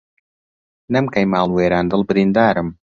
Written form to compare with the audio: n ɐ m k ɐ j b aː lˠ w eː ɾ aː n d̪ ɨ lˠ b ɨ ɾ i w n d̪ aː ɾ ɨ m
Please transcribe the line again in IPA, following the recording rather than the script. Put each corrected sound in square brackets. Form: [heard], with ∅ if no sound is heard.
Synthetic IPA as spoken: n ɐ m k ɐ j [m] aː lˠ w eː ɾ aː n d̪ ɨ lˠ b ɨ ɾ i [∅] n d̪ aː ɾ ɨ m